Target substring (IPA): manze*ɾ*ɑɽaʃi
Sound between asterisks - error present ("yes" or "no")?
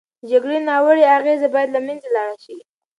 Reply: yes